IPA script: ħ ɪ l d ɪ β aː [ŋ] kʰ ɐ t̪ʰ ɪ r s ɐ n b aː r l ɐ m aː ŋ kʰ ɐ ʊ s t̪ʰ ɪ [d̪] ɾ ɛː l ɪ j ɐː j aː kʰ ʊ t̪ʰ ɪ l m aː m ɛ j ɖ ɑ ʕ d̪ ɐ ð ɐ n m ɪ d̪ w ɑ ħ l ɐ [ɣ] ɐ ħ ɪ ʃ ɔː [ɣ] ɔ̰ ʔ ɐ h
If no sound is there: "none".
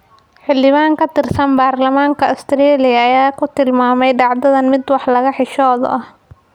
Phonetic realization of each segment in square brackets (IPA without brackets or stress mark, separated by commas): ŋ, none, ɣ, ð